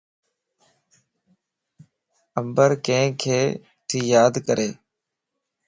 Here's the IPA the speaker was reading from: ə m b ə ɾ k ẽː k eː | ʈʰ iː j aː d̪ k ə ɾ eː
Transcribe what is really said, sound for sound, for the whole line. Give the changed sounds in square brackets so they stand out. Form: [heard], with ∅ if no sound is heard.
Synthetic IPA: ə m b ə ɾ k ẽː [kʰ] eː | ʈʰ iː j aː d̪ k ə ɾ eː